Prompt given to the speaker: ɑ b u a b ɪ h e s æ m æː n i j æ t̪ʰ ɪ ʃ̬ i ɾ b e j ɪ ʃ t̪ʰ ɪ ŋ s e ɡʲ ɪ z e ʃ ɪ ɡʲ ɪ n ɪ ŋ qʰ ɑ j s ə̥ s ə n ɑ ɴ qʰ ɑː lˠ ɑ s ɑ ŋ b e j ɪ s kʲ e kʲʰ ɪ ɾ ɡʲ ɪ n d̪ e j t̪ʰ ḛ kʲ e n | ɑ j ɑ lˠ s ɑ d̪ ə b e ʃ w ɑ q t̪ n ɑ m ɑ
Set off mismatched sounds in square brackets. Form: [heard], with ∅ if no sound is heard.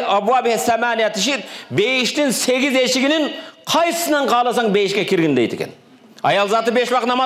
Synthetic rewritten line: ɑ b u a b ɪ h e s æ m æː n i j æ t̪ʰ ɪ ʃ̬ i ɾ b e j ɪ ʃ [t̪] ɪ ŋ s e ɡʲ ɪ z e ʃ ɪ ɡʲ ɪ n ɪ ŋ qʰ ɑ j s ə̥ s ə n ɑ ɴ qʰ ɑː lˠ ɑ s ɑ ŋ b e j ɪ [ʃ] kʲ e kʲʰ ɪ ɾ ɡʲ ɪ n d̪ e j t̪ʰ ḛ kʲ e n | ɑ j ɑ lˠ [z] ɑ [t̪] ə b e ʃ w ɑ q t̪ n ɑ m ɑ

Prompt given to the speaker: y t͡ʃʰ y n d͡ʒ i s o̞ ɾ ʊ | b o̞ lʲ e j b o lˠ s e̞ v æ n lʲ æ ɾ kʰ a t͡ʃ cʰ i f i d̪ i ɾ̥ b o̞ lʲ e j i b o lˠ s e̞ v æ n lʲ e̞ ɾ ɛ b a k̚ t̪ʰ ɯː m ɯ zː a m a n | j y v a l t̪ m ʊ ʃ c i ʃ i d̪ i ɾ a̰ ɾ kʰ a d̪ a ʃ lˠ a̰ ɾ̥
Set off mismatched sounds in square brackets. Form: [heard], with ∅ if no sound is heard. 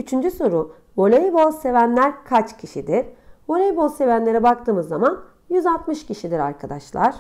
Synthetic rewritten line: y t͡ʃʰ y n d͡ʒ [y] s o̞ ɾ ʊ | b o̞ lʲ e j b o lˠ s e̞ v æ n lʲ æ ɾ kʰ a t͡ʃ cʰ i [ʃ] i d̪ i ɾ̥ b o̞ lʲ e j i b o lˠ s e̞ v æ n lʲ e̞ ɾ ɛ b a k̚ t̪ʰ ɯː m ɯ zː a m a n | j y [z] a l t̪ m [ɯ] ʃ c i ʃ i d̪ i ɾ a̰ ɾ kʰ a d̪ a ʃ lˠ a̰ ɾ̥

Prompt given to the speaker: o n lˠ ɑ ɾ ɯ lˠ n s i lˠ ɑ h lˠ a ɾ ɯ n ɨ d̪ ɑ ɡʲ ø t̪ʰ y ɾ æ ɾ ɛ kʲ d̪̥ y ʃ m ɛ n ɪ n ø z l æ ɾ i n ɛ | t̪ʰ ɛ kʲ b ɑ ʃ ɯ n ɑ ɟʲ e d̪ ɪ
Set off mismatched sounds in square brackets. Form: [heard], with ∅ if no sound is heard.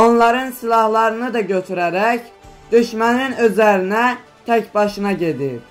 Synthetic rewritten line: o n lˠ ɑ ɾ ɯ [∅] n s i lˠ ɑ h lˠ [ɑ] ɾ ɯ n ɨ d̪ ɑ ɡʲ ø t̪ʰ y ɾ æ ɾ ɛ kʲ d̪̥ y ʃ m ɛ n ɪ n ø z l æ ɾ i n ɛ | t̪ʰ ɛ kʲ b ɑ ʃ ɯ n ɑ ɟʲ e d̪ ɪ

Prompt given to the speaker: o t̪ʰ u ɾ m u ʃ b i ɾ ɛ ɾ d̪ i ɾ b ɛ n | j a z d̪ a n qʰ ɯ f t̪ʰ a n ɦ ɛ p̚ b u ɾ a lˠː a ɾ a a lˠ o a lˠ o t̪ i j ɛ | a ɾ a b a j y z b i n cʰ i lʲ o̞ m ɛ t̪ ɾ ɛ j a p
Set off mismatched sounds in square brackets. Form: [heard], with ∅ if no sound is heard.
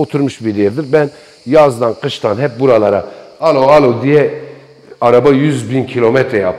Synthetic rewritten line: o t̪ʰ u ɾ m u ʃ b i ɾ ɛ ɾ d̪ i ɾ b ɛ n | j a z d̪ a n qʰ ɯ [ʃ] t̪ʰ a n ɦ ɛ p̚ b u ɾ a [lˠ] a ɾ a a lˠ o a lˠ o [d̪] i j ɛ | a ɾ a b a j y z b i n cʰ i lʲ o̞ m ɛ t̪ ɾ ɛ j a p

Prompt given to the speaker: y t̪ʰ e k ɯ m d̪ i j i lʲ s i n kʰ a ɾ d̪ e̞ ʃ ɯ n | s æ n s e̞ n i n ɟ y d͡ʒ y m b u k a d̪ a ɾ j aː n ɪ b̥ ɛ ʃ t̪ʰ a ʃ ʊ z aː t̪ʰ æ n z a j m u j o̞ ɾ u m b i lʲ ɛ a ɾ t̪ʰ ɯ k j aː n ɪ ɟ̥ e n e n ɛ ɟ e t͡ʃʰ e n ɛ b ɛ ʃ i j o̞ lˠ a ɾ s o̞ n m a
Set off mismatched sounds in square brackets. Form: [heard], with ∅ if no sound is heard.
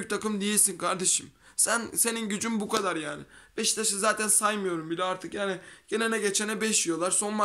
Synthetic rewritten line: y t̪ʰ [a] k ɯ m d̪ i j i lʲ s i n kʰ a ɾ d̪ e̞ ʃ ɯ [m] | s æ n s e̞ n i n ɟ y d͡ʒ y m b u k a d̪ a ɾ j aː n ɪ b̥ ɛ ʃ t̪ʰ a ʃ [ɯ] z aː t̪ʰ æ n [s] a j m [ɯ] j o̞ ɾ u m b i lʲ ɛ a ɾ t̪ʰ ɯ k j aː n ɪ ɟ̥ e n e n ɛ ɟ e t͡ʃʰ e n ɛ b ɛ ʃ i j o̞ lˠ a ɾ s o̞ n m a

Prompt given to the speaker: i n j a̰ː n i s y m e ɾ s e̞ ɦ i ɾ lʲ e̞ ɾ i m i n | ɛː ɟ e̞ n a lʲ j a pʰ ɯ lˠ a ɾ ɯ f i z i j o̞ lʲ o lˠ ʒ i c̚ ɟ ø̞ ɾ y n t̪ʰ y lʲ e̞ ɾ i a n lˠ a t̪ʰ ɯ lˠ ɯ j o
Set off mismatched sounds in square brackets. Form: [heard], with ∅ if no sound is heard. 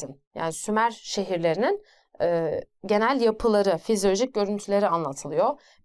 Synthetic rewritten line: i n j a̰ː n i s y m [æ] ɾ [ʃ] e̞ ɦ i ɾ lʲ e̞ ɾ i [n] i n | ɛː ɟ e̞ n [æ] lʲ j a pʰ ɯ lˠ a ɾ ɯ f i z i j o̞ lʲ o [∅] ʒ i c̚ ɟ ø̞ ɾ y n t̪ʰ y lʲ e̞ ɾ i a n lˠ a t̪ʰ ɯ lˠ ɯ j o

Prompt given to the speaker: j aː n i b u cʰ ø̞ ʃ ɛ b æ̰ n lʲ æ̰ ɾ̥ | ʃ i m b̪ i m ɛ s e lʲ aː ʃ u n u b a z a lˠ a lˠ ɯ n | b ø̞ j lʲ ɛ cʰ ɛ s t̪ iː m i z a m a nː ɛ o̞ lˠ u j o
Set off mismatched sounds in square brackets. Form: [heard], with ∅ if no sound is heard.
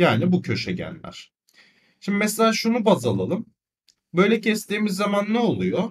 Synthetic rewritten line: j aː n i b u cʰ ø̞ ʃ ɛ [ɟ] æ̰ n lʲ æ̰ ɾ̥ | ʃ i m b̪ i m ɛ s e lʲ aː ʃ u n u b a z a lˠ a lˠ ɯ [m] | b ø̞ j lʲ ɛ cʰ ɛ s t̪ iː m i [zː] a m a nː ɛ o̞ lˠ u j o

